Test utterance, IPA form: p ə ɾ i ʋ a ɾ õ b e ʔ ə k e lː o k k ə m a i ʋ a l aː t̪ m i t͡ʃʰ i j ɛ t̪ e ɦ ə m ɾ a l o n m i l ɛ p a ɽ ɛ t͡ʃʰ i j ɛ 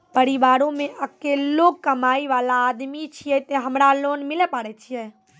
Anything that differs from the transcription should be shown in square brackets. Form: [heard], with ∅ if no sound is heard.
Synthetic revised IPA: p ə ɾ i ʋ a ɾ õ [m] e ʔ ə k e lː o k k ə m a i ʋ a l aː [d̪] m i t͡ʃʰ i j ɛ t̪ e ɦ ə m ɾ a l o n m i l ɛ p a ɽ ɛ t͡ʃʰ i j ɛ

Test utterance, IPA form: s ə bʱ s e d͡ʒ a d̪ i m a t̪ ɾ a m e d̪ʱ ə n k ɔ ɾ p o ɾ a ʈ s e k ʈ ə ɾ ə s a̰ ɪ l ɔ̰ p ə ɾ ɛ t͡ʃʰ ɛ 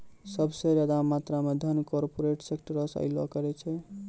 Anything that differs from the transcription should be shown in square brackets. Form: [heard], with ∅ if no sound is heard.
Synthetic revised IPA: s ə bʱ s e d͡ʒ a d̪ [a] m a t̪ ɾ a m e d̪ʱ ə n k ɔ ɾ p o ɾ [e] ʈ s e k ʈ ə ɾ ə s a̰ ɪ l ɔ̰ [k] ə ɾ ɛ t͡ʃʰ ɛ

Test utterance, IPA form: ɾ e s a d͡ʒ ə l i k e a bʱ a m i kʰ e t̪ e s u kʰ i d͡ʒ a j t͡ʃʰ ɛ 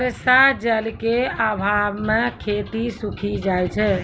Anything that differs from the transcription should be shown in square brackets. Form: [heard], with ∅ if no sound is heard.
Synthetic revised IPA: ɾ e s a d͡ʒ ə l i k e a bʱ a m [e] kʰ e t̪ [i] s u kʰ i d͡ʒ a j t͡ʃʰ ɛ

